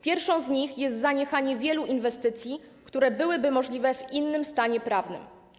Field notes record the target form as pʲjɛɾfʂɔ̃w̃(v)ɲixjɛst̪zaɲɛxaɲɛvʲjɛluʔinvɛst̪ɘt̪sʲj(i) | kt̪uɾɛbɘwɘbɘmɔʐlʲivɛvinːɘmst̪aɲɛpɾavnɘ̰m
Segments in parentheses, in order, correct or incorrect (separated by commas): incorrect, correct